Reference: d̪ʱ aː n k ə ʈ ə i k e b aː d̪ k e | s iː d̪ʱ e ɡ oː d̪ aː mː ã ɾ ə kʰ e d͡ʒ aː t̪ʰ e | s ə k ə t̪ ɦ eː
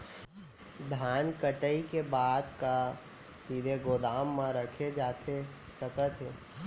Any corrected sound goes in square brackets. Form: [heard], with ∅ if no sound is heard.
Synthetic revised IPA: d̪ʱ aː n k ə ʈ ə i k e b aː d̪ k [a] | s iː d̪ʱ e ɡ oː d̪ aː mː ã ɾ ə kʰ e d͡ʒ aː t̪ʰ e | s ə k ə t̪ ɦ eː